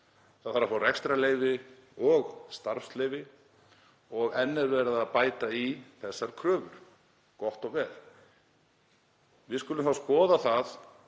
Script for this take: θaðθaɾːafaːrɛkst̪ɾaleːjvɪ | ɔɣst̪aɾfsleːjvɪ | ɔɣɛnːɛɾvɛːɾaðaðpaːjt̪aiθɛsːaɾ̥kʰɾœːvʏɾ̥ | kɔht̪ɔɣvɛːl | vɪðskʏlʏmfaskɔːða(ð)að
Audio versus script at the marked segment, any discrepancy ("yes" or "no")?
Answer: yes